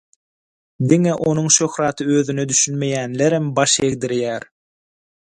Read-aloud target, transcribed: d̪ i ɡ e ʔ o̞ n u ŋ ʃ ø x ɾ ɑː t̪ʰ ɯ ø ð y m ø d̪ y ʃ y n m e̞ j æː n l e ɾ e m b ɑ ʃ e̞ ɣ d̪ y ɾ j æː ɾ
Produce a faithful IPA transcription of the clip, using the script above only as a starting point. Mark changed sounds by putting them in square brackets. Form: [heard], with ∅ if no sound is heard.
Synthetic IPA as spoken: d̪ i [ŋ] e ʔ o̞ n u ŋ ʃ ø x ɾ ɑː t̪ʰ ɯ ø ð y [n] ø d̪ y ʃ y n m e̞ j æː n l e ɾ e m b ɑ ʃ e̞ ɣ d̪ [i] ɾ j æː ɾ